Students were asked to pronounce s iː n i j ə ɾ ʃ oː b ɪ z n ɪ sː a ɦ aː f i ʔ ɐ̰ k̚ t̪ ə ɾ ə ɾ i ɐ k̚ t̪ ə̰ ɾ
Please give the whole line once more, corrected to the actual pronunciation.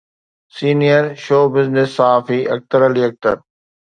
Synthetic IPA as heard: s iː n i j ə ɾ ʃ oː b ɪ z n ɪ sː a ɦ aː f i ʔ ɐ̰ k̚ t̪ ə ɾ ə l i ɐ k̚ t̪ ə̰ ɾ